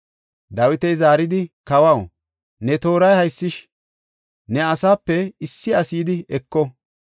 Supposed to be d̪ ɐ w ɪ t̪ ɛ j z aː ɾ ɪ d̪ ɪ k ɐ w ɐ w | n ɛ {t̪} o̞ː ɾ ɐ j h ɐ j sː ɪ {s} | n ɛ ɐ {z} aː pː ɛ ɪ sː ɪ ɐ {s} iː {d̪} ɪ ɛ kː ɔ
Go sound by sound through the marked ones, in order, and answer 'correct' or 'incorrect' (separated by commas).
correct, incorrect, incorrect, correct, correct